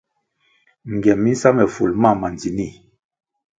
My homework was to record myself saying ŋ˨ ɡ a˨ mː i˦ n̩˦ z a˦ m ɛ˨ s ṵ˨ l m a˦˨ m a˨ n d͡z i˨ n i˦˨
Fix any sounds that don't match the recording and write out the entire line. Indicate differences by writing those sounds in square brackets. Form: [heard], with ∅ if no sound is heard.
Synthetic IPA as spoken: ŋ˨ ɡ [ɛ˨] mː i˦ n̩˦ [s] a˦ m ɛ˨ [f] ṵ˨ l m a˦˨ m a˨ n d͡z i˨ n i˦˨